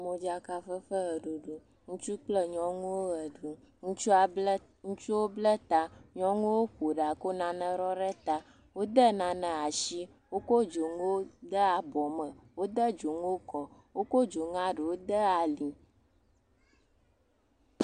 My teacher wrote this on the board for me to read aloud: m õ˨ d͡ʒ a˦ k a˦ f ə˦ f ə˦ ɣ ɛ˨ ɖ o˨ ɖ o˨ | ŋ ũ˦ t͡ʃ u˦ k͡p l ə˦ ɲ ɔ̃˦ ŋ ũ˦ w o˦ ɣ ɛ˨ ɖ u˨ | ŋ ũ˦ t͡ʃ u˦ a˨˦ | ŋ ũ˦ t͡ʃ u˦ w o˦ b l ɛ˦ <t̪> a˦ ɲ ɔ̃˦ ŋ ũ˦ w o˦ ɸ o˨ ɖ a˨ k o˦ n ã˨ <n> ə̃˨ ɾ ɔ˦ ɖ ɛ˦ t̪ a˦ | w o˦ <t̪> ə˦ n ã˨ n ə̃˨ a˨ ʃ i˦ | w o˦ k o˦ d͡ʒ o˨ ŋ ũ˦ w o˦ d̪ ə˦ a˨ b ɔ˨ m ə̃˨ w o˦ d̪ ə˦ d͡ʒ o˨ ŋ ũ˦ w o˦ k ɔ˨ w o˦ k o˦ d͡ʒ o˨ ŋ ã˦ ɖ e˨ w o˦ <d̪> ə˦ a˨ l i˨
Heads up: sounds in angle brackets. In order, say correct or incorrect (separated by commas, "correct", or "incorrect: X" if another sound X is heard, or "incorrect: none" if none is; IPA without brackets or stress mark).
correct, correct, incorrect: d̪, correct